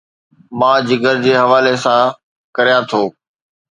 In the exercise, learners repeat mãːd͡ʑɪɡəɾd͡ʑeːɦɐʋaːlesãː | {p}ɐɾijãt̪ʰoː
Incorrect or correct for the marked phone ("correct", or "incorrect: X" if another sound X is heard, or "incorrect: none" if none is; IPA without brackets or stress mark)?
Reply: incorrect: k